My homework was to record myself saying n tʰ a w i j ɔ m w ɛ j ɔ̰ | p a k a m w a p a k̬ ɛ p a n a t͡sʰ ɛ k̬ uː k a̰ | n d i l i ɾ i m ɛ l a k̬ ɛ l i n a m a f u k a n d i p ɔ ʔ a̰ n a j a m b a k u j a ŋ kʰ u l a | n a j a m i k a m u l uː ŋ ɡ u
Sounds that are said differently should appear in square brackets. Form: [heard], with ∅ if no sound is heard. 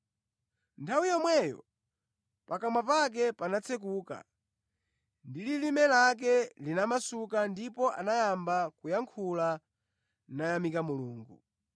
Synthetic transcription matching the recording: n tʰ a w i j ɔ m w ɛ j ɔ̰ | p a k a m w a p a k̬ ɛ p a n a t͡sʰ ɛ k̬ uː k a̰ | n d i l i [l] i m ɛ l a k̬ ɛ l i n a m a [s] u k a n d i p ɔ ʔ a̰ n a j a m b a k u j a ŋ kʰ u l a | n a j a m i k a m u l uː ŋ ɡ u